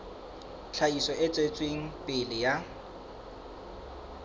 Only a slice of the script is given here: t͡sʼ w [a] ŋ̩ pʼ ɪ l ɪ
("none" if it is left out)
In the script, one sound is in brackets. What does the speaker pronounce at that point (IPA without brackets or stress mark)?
e